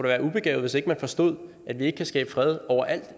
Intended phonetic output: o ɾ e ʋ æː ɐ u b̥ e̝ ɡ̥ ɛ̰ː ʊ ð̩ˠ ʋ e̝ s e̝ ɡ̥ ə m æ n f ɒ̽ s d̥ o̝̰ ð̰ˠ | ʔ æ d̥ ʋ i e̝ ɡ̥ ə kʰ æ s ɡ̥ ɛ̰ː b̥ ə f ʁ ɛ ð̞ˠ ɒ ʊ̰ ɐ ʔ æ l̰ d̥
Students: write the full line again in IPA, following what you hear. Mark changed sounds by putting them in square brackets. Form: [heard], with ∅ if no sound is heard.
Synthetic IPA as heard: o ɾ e ʋ æː ɐ u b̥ e̝ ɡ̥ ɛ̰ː ʊ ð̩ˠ ʋ e̝ s e̝ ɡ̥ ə m æ n f ɒ̽ s d̥ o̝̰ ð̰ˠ | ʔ æ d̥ ʋ i e̝ ɡ̥ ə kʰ æ s ɡ̥ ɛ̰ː b̥ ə f ʁ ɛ ð̞ˠ ɒ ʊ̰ ɐ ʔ æ l̰ d̥